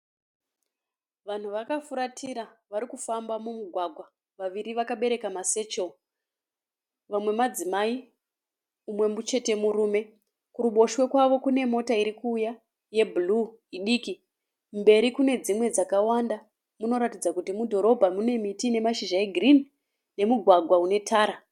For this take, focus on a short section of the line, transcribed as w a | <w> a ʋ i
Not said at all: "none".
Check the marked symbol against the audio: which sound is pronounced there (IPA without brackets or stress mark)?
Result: ʋ